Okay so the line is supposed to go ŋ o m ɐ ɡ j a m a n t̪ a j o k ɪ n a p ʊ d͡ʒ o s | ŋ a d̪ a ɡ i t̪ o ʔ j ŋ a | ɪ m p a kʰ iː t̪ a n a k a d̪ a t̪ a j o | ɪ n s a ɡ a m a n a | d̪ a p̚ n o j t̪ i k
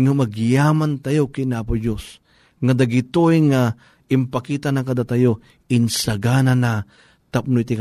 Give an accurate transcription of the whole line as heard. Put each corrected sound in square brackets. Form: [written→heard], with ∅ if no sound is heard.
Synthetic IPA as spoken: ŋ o m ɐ ɡ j a m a n t̪ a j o k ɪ n a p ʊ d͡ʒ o s | ŋ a d̪ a ɡ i t̪ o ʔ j ŋ a | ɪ m p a [kʰ→k] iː t̪ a n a k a d̪ a t̪ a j o | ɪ n s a ɡ a [m→n] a n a | [d̪→t̪] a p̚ n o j t̪ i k